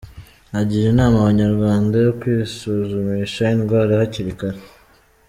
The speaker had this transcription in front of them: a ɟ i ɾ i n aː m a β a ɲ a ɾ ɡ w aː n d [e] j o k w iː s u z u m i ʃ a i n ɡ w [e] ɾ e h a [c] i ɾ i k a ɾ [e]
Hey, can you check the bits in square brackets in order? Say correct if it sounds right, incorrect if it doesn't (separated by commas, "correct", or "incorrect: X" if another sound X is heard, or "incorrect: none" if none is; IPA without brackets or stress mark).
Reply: incorrect: a, incorrect: a, correct, correct